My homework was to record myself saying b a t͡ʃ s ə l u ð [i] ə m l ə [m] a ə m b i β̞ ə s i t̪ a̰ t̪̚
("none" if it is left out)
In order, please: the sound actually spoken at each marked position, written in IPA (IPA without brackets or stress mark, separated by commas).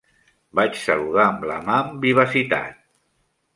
a, m